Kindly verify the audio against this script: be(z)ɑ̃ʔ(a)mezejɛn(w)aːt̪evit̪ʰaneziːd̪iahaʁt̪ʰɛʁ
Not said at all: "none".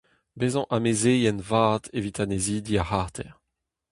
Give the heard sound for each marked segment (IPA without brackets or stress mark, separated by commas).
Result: z, a, v